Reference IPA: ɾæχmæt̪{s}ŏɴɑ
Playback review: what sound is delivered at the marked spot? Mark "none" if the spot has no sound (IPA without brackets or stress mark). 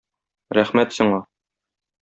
s